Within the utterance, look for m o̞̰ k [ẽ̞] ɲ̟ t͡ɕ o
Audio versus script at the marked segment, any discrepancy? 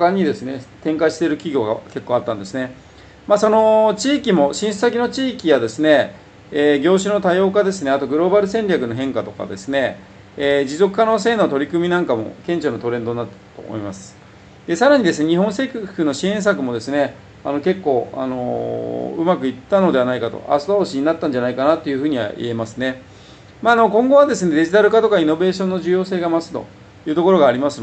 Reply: no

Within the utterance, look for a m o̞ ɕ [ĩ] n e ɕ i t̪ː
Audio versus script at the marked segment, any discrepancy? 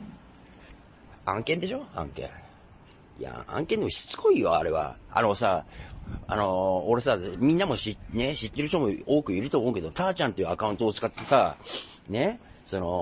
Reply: yes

